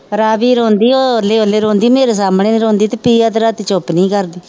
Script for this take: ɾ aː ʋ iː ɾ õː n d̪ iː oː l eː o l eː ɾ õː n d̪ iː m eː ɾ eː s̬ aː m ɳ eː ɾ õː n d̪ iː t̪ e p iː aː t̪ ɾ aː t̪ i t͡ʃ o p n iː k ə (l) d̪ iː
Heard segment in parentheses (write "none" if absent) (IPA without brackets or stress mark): ɾ